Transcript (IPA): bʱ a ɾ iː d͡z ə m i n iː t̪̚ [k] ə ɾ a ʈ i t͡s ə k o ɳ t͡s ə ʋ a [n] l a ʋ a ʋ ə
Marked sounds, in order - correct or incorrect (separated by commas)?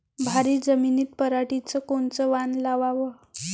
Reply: incorrect, correct